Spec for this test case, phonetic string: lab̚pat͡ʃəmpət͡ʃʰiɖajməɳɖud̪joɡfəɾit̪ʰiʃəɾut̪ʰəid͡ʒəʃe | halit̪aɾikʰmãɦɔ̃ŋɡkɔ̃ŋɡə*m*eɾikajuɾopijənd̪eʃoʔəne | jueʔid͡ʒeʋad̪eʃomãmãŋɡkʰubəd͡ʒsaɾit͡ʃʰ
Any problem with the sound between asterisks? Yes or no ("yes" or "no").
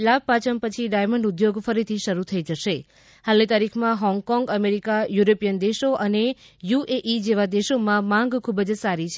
no